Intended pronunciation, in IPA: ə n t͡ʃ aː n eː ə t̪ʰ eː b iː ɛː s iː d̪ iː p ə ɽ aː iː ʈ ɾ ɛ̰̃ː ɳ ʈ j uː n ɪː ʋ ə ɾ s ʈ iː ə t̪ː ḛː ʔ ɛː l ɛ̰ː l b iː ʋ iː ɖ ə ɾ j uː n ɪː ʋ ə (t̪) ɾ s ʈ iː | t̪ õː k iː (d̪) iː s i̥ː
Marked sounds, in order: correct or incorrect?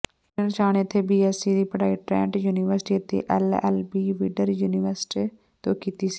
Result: incorrect: none, incorrect: t̪

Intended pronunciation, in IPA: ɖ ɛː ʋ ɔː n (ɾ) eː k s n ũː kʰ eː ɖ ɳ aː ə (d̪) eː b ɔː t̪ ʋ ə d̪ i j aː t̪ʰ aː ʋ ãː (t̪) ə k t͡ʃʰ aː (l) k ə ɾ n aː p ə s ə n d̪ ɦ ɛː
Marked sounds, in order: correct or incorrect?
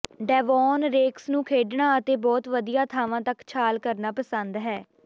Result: correct, incorrect: t̪, correct, correct

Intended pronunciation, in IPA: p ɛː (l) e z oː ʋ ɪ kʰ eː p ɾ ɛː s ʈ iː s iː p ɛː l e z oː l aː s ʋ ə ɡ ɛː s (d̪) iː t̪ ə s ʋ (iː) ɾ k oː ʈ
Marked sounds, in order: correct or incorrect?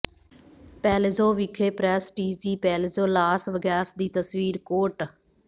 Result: correct, correct, correct

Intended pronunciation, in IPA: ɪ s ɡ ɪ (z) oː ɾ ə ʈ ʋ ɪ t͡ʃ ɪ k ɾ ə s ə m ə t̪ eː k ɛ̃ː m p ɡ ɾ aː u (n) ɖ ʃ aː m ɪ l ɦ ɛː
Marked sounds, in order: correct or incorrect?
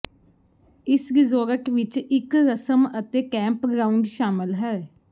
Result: correct, incorrect: ɳ

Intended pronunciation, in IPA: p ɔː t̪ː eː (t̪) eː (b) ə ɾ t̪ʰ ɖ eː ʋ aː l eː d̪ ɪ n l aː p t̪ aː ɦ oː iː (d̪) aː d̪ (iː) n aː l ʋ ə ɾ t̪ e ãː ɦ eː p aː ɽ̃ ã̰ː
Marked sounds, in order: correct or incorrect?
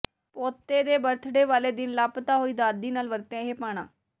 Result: incorrect: d̪, correct, correct, correct

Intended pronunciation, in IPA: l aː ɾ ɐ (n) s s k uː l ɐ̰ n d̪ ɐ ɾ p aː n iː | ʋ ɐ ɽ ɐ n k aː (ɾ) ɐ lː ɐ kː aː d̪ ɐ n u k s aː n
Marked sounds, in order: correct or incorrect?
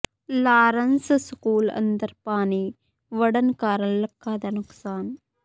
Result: correct, correct

